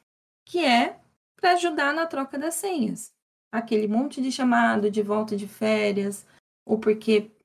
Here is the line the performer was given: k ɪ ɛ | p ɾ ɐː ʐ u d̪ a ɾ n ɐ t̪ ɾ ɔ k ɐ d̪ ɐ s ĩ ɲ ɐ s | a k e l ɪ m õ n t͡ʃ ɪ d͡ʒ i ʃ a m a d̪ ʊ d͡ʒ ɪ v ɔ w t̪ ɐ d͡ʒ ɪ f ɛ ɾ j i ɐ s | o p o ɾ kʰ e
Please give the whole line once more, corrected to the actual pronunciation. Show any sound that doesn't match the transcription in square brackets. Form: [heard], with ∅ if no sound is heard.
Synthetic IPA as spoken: k ɪ ɛ | p ɾ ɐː [ʒ] u d̪ a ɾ n ɐ t̪ ɾ ɔ k ɐ d̪ ɐ s [ẽ] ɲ ɐ s | a k e l ɪ m õ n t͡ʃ ɪ d͡ʒ [ɪ] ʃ a m a d̪ ʊ d͡ʒ ɪ v ɔ w t̪ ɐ d͡ʒ ɪ f ɛ ɾ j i ɐ s | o p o ɾ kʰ e